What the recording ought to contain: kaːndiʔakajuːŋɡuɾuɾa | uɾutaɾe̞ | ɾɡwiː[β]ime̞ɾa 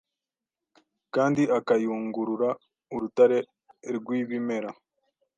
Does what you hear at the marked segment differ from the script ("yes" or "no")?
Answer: no